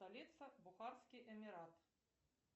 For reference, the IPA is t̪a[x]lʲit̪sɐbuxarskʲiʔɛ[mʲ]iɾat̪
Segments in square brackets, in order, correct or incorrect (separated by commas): incorrect, correct